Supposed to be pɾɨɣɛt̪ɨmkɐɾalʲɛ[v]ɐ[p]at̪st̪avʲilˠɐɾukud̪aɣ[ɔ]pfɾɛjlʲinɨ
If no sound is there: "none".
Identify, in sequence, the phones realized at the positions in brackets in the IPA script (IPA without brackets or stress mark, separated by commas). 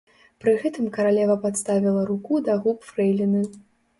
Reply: v, p, u